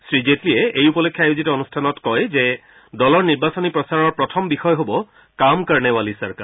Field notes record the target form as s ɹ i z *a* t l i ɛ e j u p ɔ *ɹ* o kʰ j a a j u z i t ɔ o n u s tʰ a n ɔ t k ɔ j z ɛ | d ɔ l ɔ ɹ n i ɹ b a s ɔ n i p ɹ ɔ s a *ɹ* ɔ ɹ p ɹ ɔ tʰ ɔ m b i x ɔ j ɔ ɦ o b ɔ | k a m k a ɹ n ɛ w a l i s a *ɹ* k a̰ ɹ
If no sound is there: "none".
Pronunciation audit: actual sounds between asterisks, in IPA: e, l, ɹ, ɹ

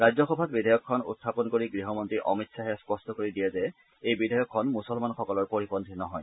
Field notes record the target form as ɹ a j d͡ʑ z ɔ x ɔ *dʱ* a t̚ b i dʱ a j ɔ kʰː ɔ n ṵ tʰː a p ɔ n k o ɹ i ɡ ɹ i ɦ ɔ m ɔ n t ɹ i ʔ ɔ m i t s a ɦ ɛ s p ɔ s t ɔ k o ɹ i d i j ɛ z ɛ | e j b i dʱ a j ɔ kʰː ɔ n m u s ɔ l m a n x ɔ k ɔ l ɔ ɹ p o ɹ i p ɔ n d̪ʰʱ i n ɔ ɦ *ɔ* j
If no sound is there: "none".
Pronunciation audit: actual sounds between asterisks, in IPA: bʱ, ɔ

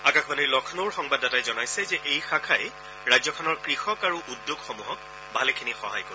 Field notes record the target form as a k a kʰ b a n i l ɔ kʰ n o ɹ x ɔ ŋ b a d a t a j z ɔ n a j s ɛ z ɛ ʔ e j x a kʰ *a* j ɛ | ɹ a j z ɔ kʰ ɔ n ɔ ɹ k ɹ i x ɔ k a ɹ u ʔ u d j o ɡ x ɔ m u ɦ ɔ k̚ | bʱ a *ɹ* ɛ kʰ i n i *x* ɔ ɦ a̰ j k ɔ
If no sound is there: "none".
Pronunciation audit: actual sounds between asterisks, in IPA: a, l, x

